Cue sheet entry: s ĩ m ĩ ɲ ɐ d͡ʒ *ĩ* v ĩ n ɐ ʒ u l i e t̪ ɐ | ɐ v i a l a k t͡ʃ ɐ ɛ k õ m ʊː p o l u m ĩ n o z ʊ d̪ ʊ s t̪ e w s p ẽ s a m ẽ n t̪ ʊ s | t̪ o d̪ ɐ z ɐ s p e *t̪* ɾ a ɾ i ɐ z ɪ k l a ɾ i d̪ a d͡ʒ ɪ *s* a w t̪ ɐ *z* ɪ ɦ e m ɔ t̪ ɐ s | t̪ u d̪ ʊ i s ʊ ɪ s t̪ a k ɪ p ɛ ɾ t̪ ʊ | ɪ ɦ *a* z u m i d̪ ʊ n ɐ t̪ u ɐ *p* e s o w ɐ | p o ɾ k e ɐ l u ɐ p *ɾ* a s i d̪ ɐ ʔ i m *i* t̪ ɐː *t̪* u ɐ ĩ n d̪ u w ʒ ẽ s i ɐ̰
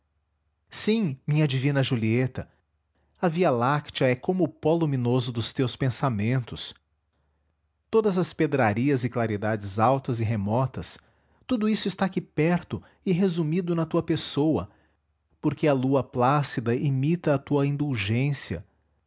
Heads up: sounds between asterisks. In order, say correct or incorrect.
incorrect, incorrect, incorrect, correct, incorrect, correct, incorrect, correct, correct

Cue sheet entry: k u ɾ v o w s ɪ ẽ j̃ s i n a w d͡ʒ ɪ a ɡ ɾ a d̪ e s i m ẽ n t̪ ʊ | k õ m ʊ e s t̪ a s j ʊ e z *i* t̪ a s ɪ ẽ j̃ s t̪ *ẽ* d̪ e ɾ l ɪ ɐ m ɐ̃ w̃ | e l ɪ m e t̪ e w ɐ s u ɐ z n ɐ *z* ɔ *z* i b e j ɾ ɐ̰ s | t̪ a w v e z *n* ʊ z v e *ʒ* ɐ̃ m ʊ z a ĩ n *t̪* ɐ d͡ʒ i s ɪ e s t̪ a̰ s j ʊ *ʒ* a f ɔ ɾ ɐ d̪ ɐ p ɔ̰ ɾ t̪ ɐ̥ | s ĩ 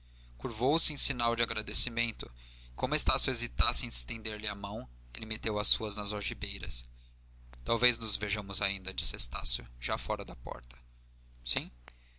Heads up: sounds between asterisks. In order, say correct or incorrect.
correct, correct, correct, incorrect, correct, correct, incorrect, correct

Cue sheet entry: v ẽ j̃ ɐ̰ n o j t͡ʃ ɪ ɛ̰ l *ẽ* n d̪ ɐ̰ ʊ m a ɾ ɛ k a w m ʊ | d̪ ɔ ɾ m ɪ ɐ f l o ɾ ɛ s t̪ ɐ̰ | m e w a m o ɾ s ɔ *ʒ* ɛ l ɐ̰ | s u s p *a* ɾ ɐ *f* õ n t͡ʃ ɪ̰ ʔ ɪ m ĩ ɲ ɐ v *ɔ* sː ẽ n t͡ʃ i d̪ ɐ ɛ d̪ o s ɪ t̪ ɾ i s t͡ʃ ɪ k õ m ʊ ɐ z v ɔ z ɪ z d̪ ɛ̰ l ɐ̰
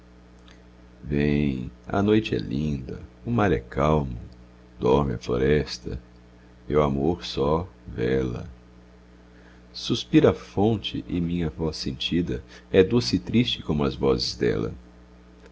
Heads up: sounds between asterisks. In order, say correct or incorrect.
incorrect, incorrect, incorrect, correct, correct

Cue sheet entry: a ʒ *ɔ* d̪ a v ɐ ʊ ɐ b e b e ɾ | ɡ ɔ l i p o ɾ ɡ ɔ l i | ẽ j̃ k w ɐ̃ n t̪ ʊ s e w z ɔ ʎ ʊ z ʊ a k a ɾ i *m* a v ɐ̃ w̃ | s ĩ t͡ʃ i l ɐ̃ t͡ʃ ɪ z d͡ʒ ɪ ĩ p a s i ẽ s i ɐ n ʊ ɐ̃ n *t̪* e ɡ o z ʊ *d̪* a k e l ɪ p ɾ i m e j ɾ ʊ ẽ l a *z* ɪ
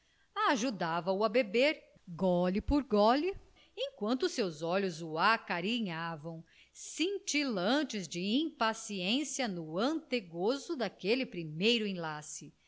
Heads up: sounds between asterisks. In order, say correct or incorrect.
incorrect, incorrect, correct, correct, incorrect

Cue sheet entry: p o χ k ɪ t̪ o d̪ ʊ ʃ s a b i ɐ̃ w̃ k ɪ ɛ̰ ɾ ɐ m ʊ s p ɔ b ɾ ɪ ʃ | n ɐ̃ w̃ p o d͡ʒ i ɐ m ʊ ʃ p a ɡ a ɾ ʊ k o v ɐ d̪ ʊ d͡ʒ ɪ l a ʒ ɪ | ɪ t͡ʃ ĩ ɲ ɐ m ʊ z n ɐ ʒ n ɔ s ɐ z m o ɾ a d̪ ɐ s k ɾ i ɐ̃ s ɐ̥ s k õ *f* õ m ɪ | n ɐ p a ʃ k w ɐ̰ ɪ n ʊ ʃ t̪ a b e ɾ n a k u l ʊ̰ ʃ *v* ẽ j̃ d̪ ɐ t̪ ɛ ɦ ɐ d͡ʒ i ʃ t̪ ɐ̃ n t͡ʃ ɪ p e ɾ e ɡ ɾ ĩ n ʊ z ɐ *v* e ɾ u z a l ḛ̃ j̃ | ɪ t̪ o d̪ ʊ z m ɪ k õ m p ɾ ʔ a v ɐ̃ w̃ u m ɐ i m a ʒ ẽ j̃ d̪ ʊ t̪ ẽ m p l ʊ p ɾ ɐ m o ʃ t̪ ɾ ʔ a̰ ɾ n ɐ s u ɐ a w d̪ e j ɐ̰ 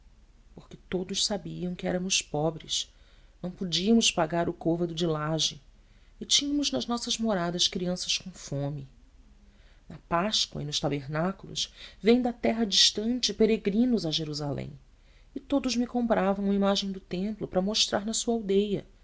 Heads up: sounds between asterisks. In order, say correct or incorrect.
correct, correct, incorrect

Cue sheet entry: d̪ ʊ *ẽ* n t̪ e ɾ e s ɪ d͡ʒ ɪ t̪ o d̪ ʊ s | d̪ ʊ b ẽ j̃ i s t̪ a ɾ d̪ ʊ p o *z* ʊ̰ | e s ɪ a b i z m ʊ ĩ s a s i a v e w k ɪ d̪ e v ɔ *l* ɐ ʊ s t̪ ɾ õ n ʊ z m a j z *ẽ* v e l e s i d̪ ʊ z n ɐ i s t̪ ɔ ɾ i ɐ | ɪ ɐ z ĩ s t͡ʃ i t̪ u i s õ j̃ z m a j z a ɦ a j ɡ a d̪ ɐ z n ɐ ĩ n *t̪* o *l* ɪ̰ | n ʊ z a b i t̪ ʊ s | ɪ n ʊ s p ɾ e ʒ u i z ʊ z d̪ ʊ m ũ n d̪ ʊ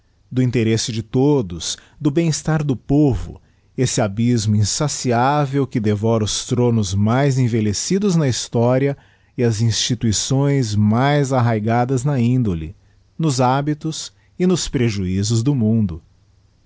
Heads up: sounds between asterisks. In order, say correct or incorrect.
incorrect, incorrect, incorrect, correct, incorrect, correct

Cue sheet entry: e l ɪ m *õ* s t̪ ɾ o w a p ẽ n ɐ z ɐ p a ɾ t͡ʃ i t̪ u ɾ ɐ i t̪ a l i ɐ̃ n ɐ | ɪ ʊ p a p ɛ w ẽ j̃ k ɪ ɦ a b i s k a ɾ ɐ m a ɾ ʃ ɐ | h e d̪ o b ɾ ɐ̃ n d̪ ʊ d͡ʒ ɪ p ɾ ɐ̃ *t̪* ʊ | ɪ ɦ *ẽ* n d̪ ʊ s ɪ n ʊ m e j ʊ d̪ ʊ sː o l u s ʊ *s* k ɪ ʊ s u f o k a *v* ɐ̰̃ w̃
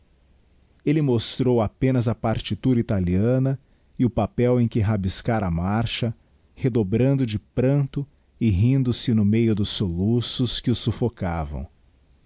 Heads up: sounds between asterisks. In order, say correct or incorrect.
incorrect, correct, incorrect, correct, correct

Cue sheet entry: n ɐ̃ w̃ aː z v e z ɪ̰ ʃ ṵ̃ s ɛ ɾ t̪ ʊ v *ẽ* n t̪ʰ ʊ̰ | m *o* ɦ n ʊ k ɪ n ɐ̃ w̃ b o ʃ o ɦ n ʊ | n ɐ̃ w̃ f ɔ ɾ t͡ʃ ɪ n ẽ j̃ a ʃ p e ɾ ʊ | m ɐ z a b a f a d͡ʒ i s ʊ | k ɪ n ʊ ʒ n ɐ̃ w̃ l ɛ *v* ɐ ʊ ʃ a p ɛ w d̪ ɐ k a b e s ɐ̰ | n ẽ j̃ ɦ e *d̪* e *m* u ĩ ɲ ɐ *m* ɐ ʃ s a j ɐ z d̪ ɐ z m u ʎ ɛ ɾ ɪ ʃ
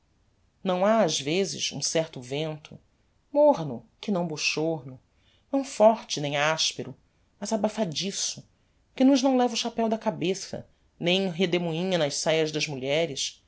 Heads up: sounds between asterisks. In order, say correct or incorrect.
correct, correct, correct, correct, correct, incorrect

